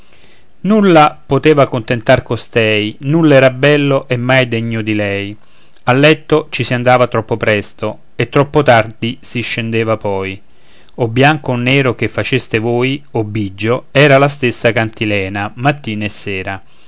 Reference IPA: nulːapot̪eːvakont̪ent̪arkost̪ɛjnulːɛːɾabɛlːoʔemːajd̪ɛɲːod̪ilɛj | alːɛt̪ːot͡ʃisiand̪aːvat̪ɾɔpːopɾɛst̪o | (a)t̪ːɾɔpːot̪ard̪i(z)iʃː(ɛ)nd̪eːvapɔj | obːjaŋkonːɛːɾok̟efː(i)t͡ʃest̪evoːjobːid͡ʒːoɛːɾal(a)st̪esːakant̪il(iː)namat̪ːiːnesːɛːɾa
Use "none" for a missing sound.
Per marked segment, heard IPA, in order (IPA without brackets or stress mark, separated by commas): e, s, e, a, a, ɛː